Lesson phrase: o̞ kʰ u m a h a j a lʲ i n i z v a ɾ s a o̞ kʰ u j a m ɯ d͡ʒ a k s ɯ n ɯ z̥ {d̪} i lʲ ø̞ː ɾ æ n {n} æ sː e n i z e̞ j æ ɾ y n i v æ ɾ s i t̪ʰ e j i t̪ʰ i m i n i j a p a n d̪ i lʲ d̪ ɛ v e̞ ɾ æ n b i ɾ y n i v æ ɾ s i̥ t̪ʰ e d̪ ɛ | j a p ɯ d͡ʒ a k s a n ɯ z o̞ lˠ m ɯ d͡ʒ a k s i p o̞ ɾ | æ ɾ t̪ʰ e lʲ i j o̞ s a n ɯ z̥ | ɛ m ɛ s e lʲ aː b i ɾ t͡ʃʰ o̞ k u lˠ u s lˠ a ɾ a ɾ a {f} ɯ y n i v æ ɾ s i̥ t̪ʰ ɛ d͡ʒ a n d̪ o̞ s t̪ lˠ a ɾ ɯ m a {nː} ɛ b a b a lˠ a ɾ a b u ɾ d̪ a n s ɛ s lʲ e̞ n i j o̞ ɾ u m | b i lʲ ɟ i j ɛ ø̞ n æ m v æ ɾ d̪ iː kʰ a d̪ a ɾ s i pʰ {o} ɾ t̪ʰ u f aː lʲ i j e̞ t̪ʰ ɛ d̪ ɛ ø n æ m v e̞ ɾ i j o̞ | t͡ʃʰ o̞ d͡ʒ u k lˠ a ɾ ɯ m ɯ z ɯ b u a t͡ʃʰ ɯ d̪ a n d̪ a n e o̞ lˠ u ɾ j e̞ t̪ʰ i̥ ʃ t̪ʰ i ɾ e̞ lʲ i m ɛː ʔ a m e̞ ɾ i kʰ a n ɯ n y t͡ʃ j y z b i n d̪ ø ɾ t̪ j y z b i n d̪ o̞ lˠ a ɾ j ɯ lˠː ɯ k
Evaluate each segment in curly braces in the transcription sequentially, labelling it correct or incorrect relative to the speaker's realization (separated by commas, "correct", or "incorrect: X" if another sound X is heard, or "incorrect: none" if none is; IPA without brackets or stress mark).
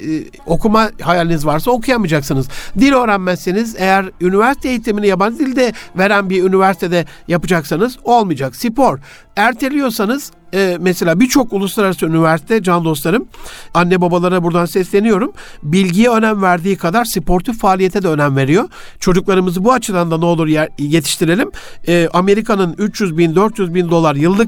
correct, incorrect: m, incorrect: s, correct, correct